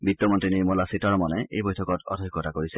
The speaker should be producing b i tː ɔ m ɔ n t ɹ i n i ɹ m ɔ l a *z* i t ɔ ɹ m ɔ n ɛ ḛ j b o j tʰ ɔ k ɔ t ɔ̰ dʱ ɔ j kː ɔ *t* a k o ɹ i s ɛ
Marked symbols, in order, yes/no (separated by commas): no, yes